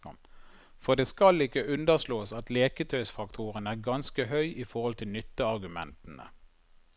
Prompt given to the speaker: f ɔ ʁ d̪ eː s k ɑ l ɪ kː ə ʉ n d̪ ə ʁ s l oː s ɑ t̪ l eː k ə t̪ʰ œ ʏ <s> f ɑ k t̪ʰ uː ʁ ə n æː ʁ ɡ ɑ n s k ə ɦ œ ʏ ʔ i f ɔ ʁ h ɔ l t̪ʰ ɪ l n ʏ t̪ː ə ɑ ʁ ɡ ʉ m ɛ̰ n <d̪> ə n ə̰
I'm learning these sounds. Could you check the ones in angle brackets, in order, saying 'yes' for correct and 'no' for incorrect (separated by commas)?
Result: yes, no